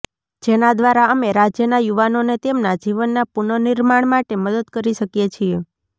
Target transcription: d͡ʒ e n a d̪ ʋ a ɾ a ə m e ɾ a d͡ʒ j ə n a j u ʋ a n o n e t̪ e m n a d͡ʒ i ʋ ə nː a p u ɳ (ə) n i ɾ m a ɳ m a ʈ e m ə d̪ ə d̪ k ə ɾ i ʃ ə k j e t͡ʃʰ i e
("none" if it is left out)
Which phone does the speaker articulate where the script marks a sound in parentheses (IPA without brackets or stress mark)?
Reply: ə